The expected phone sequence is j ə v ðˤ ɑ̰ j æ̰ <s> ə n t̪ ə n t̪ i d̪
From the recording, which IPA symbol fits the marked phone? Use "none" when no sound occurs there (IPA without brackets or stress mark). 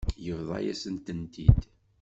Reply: s